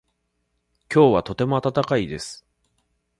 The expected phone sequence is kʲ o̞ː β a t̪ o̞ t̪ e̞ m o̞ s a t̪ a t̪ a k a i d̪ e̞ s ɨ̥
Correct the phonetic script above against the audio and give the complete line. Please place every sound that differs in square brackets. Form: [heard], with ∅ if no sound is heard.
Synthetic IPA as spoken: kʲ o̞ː β a t̪ o̞ t̪ e̞ m o̞ [∅] a t̪ a t̪ a k a i d̪ e̞ s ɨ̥